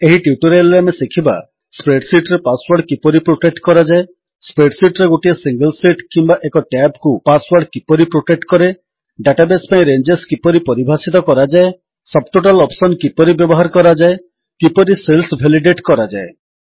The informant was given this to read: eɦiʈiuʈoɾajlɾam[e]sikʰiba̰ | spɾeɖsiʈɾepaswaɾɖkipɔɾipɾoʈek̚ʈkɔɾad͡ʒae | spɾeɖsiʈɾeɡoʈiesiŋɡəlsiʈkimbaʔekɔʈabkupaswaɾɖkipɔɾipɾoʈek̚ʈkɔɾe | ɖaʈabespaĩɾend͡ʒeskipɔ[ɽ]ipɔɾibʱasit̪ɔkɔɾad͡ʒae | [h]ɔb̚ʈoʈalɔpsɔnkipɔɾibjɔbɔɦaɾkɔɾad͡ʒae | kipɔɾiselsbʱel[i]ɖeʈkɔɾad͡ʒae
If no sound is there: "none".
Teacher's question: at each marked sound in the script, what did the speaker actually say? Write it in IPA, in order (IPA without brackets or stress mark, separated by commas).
e, ɾ, s, i